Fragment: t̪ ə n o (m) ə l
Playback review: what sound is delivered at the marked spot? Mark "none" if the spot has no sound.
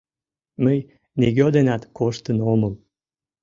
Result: m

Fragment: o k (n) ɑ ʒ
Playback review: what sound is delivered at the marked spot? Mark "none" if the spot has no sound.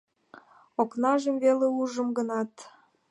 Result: n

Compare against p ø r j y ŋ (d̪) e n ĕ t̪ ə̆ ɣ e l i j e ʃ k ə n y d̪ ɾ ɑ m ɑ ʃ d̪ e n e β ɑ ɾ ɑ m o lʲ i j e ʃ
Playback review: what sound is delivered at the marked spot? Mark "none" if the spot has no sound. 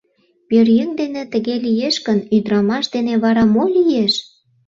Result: d̪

